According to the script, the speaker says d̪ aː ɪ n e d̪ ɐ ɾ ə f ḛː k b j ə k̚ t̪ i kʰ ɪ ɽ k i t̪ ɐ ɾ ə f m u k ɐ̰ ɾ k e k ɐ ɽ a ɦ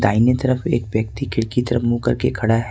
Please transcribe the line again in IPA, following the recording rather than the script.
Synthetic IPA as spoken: d̪ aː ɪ n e t̪ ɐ ɾ ə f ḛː k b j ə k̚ t̪ i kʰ ɪ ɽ k i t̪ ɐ ɾ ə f m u k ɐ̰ ɾ k e kʰ ɐ ɽ a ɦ